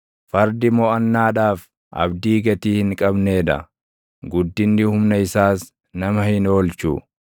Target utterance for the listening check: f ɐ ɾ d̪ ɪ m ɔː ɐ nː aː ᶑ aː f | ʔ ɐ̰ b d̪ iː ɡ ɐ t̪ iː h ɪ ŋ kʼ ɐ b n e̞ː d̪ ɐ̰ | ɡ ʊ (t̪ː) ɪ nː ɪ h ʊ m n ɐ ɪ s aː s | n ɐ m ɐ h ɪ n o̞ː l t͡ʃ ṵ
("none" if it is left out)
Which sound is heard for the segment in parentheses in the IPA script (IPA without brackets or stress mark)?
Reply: d̪ː